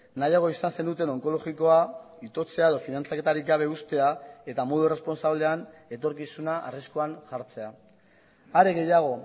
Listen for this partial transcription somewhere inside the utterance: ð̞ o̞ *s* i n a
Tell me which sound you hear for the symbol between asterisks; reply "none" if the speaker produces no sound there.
f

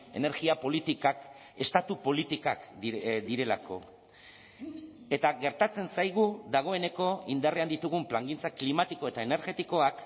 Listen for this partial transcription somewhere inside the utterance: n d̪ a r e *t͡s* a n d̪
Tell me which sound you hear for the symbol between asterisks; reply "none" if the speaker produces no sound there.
none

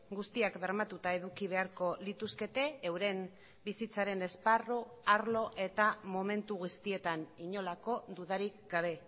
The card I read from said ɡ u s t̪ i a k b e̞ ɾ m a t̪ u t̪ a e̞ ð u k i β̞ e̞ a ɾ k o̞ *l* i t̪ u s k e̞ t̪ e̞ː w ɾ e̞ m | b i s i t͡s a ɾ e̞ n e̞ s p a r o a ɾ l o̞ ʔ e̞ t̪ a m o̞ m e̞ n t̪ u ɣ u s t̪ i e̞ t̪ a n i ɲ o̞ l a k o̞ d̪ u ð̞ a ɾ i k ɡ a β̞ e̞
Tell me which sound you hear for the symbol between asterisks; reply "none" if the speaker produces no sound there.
l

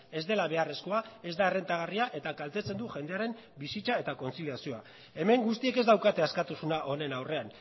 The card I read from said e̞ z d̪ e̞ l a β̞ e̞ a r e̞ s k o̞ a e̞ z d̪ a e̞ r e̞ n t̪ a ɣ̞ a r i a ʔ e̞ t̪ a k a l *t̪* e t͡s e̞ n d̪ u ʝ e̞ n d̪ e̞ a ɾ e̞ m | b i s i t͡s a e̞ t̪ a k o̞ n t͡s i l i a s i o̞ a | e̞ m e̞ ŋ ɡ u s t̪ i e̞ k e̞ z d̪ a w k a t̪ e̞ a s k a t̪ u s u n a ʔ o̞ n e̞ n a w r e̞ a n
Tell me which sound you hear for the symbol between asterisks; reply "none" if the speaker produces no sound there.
t̪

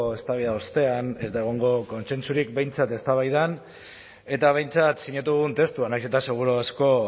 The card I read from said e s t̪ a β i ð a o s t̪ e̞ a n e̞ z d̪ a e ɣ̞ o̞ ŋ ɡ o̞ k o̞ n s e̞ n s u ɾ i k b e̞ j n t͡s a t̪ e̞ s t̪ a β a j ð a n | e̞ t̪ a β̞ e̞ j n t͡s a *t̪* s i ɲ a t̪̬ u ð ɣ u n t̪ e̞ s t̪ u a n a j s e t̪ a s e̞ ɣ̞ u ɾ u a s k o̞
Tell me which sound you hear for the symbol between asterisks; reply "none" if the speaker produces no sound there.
t̪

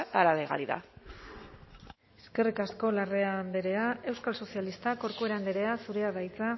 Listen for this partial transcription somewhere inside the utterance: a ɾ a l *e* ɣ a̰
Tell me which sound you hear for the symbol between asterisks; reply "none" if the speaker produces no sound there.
e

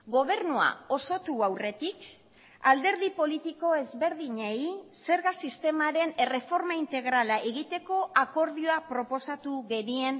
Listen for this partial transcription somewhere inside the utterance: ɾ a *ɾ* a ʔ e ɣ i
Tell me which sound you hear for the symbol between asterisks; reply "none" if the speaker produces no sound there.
l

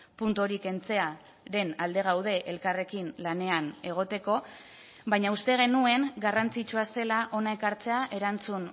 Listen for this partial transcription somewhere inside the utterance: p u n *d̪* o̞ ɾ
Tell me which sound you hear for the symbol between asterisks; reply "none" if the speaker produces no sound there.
t̪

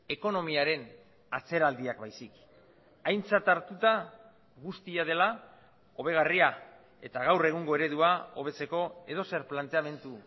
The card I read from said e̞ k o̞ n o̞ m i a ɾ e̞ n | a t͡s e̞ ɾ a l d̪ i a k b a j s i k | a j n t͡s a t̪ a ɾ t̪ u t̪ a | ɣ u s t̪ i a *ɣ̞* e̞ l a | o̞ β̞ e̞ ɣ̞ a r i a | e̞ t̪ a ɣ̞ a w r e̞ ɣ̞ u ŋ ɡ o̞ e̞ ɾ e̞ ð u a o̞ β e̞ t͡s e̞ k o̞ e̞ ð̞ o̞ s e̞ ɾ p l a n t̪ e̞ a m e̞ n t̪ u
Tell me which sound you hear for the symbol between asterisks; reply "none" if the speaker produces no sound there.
ð̞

